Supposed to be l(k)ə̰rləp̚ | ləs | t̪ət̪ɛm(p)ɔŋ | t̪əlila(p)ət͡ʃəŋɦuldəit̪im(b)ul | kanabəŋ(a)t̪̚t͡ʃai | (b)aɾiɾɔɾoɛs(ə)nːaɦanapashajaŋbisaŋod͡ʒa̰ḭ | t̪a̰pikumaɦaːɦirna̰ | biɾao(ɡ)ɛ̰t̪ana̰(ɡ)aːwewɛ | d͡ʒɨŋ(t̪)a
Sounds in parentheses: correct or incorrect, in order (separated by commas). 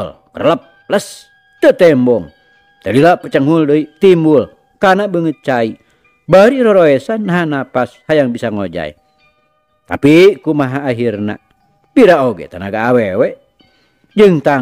correct, incorrect, correct, correct, incorrect, correct, incorrect, correct, correct, correct